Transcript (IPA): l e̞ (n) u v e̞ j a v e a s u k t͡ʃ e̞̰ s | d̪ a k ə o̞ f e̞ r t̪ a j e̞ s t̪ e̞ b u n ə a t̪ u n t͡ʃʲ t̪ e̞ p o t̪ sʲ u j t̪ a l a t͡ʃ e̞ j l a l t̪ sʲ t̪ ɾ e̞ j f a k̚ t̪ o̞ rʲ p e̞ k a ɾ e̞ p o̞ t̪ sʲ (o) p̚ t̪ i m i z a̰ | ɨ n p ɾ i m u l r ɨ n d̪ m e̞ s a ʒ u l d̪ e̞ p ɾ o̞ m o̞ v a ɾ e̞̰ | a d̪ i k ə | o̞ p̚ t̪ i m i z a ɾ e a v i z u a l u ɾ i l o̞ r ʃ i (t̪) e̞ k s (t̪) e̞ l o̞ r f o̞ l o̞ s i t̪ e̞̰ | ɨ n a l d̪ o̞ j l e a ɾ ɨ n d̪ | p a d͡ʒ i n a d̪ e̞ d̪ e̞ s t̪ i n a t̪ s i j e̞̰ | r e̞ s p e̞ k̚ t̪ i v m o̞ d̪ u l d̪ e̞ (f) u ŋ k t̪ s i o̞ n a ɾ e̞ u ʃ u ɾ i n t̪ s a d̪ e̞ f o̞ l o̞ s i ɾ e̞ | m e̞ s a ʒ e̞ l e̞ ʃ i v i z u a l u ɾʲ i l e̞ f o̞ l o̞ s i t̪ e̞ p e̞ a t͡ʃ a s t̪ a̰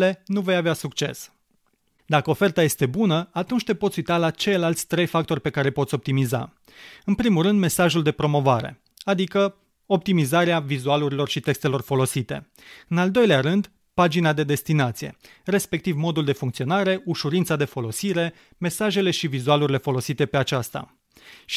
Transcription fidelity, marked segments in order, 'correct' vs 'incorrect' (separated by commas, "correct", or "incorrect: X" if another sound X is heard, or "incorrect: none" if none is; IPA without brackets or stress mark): correct, correct, correct, correct, correct